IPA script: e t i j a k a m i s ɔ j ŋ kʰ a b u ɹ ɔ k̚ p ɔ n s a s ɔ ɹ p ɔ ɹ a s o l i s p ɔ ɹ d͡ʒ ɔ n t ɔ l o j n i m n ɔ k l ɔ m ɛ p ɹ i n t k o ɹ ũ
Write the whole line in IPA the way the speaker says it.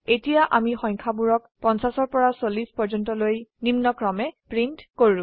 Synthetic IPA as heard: e t i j a ʔ a m i x ɔ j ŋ kʰ a b u ɹ ɔ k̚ p ɔ n s a s ɔ ɹ p ɔ ɹ a s o l i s p ɔ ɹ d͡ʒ ɔ n t ɔ l o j n i m n ɔ k ɹ ɔ m ɛ p ɹ i n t k o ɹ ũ

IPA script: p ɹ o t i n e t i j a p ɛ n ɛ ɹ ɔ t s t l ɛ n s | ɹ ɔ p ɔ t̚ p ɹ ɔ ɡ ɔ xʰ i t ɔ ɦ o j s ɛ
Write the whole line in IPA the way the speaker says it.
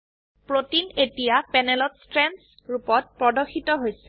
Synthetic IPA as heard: p ɹ o t i n e t i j a p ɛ n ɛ l ɔ t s t ɹ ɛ n s | ɹ u p ɔ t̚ p ɹ ɔ d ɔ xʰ i t ɔ ɦ o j s ɛ

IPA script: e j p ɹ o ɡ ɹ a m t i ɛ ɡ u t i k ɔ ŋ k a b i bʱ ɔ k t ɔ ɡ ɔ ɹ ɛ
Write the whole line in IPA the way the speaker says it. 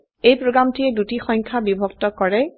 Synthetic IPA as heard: e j p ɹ o ɡ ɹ a m t i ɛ d u t i x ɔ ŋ kʰ a b i bʱ ɔ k t ɔ k ɔ ɹ ɛ

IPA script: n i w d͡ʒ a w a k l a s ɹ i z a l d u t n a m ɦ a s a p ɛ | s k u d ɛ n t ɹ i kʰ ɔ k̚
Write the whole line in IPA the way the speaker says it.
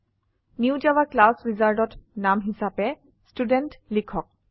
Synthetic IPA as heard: n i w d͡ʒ a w a k l a s ɹ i z a ɹ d ɔ t n a m ɦ i s a p ɛ | s t u d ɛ n t l i kʰ ɔ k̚

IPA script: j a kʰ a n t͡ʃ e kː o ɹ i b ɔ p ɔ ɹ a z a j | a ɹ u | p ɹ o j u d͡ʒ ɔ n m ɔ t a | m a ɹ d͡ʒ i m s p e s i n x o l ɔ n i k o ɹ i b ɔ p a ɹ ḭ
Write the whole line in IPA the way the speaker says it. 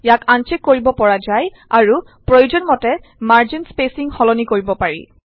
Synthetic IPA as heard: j a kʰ a n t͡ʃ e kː o ɹ i b ɔ p ɔ ɹ a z a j | a ɹ u | p ɹ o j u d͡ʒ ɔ n m ɔ t ɛ | m a ɹ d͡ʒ i n s p e s i ŋ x ɔ l ɔ n i k o ɹ i b ɔ p a ɹ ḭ

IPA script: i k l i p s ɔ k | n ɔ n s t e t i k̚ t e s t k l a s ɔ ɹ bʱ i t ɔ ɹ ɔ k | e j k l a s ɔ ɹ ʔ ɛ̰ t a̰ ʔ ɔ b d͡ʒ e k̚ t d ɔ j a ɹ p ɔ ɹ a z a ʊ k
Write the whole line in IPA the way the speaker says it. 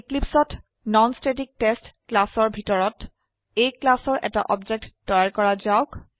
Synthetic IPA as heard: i k l i p s ɔ t | n ɔ n s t e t i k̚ t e s t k l a s ɔ ɹ bʱ i t ɔ ɹ ɔ t | e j k l a s ɔ ɹ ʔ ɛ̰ t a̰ ʔ ɔ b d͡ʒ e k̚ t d ɔ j a ɹ k ɔ ɹ a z a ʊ k

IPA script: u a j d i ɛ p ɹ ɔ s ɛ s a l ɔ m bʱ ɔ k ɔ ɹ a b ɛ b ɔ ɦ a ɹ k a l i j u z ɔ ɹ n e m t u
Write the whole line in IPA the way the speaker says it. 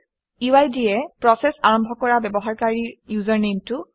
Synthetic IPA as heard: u a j d i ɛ p ɹ ɔ s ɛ s a ɹ ɔ m bʱ ɔ k ɔ ɹ a b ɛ b ɔ ɦ a ɹ k a ɹ i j u z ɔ ɹ n e m t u

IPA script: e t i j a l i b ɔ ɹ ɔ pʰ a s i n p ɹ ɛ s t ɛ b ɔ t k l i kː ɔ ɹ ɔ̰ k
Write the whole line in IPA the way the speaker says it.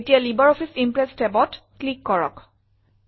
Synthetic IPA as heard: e t i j a l i b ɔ ɹ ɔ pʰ i s i m p ɹ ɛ s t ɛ b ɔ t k l i kː ɔ ɹ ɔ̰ k

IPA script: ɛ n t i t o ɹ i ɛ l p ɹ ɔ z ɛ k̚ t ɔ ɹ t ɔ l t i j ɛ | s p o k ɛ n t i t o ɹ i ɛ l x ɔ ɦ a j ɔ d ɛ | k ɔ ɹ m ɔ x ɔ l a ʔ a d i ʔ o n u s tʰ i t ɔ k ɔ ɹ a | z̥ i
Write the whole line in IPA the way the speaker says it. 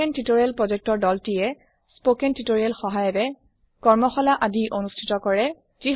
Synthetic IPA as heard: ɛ n t i t o ɹ i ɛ l p ɹ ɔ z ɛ k̚ t ɔ ɹ d ɔ l t i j ɛ | s p o k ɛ n t i t o ɹ i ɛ l x ɔ ɦ a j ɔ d ɛ | k ɔ ɹ m ɔ x ɔ l a ʔ a d i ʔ o n u s tʰ i t ɔ k ɔ ɹ ɛ | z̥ i

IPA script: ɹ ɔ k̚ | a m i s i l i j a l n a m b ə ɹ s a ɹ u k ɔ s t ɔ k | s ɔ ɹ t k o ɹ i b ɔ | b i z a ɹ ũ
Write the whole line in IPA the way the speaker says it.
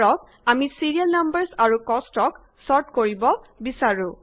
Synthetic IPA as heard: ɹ ɔ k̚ | a m i s i ɹ i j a l n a m b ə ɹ s a ɹ u k ɔ s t ɔ k | s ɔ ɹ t k o ɹ i b ɔ | b i s a ɹ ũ

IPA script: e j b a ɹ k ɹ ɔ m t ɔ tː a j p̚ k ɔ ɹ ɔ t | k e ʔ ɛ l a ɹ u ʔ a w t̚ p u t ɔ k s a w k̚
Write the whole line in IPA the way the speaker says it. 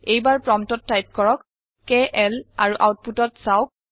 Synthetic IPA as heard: e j b a ɹ p ɹ ɔ m t ɔ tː a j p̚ k ɔ ɹ ɔ k | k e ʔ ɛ l a ɹ u ʔ a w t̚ p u t ɔ t s a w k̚

